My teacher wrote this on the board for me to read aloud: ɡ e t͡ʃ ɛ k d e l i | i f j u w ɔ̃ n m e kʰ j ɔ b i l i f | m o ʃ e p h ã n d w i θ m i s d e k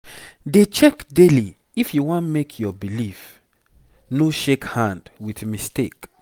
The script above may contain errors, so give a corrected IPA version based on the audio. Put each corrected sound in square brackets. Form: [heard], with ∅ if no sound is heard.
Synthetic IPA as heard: [d] e t͡ʃ ɛ k d e l i | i f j u w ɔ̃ n m e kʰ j ɔ b i l i f | [n] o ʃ e [k] h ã n d w i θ m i s [t] e k